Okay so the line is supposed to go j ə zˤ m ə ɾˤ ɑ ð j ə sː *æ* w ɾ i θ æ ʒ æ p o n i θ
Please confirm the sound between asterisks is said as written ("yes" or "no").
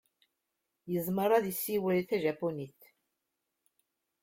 no